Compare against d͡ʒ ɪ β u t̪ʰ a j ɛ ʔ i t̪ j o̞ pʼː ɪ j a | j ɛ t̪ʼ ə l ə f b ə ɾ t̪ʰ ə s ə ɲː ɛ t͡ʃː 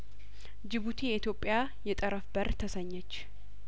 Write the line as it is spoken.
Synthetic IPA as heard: d͡ʒ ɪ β u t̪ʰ e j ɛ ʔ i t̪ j o̞ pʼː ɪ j a | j ɛ t̪ʼ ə ɾ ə f b ə ɾ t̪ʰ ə s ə ɲː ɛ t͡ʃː